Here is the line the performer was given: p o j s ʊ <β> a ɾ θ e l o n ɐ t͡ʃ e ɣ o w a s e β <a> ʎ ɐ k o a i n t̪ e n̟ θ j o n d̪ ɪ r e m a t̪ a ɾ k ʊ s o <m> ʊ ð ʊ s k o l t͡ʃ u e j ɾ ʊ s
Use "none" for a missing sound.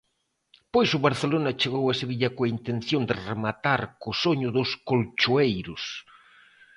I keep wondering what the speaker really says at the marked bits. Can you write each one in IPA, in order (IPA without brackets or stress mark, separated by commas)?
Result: β, i, ɲ